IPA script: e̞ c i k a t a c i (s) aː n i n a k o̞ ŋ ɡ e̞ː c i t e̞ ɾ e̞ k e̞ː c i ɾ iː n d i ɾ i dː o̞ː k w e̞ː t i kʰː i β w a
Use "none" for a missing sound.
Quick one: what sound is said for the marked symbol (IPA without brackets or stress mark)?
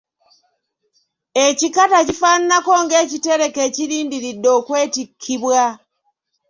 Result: f